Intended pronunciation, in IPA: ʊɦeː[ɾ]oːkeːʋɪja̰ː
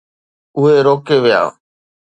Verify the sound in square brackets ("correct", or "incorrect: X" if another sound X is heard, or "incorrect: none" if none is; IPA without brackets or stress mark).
correct